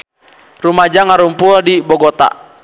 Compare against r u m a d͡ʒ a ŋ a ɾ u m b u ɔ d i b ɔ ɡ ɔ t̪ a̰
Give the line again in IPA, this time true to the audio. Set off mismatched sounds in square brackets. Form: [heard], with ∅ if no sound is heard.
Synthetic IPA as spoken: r u m a d͡ʒ a ŋ a ɾ u m [p] u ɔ d i b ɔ ɡ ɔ t̪ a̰